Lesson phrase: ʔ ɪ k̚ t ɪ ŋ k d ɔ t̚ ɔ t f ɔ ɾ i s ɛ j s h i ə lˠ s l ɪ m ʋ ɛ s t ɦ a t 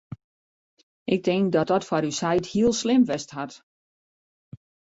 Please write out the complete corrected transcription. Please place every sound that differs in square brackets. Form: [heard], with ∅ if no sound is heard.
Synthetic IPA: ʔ ɪ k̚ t ɪ ŋ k d ɔ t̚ ɔ t f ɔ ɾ [y] s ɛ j [t] h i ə lˠ s l ɪ m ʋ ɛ s t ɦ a t